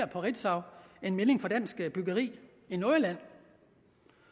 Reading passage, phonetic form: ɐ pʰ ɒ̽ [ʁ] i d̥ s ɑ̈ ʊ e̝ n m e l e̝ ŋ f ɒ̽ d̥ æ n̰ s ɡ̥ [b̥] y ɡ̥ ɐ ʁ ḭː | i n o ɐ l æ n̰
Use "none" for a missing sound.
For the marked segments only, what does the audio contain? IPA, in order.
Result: ʁ, b̥

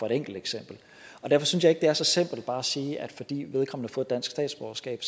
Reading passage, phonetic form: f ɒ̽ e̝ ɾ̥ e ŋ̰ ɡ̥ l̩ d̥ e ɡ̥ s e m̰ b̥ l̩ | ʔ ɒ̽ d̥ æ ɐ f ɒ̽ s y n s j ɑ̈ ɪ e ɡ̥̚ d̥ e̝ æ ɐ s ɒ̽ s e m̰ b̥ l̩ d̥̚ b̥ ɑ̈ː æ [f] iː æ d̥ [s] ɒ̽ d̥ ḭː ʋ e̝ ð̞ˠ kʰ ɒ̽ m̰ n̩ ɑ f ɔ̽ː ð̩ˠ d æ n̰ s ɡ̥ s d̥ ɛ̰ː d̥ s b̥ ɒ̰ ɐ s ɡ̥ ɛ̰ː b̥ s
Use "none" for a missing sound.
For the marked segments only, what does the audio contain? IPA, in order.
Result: s, f

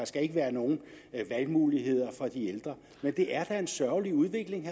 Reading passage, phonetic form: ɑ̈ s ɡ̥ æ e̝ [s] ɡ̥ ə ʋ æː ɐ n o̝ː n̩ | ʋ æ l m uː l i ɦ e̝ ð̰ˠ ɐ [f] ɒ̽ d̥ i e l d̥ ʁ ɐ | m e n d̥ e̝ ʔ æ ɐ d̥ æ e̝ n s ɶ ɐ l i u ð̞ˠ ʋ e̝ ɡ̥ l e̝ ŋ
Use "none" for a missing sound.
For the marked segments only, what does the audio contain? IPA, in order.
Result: none, f

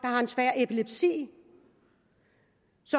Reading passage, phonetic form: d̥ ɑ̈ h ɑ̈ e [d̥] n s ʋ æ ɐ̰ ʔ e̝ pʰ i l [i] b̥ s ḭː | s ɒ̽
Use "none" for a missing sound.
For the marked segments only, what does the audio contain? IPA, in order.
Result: none, e

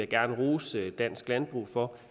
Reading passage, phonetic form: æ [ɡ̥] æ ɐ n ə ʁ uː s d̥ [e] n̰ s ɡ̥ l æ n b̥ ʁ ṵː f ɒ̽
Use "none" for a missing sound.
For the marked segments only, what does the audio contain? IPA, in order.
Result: ɡ̥, æ

